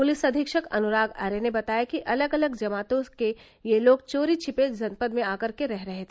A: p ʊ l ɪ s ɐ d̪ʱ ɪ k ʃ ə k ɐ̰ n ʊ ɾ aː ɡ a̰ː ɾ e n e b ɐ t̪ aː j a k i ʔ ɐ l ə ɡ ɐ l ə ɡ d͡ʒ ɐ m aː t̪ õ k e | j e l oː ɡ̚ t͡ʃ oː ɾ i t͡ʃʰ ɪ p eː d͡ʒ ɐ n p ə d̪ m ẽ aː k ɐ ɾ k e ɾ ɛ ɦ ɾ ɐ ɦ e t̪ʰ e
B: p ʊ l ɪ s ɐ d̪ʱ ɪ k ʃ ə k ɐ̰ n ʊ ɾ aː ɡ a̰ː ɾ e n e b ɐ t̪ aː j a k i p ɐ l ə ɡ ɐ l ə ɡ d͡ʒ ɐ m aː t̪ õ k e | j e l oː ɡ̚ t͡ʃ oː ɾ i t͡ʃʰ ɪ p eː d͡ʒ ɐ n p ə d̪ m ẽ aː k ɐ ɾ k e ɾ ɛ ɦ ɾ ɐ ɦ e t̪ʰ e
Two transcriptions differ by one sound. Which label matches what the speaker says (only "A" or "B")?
A